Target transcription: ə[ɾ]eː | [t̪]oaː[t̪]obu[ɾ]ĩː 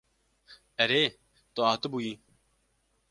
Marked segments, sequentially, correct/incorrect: correct, correct, correct, incorrect: none

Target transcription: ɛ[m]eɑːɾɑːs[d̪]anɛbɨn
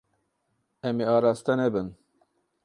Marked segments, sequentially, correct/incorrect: correct, incorrect: t̪

